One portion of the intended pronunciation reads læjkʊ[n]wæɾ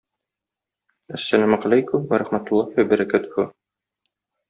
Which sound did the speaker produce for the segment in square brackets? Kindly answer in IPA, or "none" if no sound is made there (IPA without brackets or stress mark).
m